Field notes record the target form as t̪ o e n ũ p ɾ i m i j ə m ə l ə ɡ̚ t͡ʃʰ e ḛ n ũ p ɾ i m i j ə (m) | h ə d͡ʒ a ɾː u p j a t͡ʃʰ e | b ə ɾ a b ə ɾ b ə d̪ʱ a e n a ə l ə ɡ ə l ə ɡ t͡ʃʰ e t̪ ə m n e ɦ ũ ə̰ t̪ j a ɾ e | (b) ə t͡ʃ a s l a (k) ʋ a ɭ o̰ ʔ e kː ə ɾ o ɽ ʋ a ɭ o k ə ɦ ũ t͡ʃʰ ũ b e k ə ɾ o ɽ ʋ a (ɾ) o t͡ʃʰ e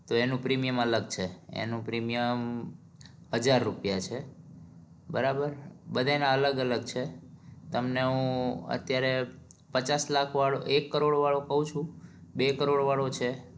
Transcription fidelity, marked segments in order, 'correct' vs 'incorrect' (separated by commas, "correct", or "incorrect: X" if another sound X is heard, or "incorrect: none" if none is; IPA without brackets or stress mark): correct, incorrect: p, incorrect: kʰ, incorrect: ɭ